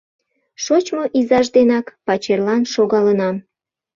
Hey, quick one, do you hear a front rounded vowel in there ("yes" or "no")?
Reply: no